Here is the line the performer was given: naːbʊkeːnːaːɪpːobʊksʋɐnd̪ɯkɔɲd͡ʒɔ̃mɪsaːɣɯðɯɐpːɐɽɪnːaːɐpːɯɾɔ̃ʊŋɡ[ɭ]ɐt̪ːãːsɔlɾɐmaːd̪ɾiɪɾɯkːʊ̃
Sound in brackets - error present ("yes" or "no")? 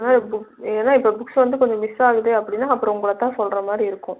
no